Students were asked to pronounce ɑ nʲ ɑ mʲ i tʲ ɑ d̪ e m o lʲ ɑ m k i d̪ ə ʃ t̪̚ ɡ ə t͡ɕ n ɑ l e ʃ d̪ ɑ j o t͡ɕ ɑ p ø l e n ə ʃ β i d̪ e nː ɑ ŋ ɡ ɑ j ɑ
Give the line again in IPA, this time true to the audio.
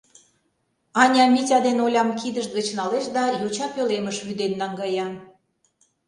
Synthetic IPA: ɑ nʲ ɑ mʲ i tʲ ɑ d̪ e n o lʲ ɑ m k i d̪ ə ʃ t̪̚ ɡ ə t͡ɕ n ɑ l e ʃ d̪ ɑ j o t͡ɕ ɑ p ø l e m ə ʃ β y d̪ e nː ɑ ŋ ɡ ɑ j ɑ